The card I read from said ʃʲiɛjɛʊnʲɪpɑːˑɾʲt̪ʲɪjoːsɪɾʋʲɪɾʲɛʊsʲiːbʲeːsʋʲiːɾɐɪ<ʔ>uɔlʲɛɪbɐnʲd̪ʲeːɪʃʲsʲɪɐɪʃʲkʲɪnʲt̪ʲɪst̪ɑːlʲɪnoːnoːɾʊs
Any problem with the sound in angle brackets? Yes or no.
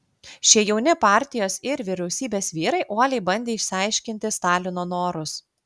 no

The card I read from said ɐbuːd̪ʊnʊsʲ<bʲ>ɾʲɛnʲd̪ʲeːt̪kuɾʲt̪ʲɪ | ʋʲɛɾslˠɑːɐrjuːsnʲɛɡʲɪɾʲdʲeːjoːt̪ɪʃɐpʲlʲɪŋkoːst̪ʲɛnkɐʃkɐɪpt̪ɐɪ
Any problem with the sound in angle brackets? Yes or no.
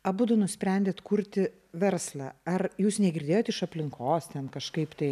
yes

